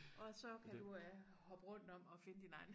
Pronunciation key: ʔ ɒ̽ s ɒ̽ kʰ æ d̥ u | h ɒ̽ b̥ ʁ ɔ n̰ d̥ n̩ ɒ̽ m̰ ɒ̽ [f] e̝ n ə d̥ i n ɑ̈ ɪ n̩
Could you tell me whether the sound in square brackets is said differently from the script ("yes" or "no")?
no